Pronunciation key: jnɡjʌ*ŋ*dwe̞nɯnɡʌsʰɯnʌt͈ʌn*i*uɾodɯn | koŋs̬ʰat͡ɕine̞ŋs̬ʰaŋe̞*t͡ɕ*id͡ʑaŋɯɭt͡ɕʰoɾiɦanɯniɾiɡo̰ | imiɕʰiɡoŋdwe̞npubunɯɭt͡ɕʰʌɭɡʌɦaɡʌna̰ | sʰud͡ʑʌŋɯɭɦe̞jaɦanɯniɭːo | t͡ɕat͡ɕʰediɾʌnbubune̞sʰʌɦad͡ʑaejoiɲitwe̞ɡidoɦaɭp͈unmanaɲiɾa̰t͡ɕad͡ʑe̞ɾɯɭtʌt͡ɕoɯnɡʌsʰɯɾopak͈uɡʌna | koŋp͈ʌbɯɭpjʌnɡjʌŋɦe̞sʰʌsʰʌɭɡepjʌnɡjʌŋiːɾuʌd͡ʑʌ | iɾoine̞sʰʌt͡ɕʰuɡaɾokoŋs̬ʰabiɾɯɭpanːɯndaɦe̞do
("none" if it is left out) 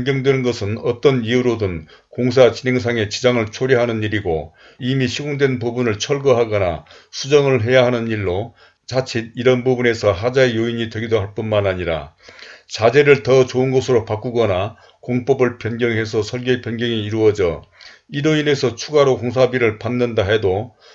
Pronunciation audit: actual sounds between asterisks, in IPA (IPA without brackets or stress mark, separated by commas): ŋ, i, t͡ɕ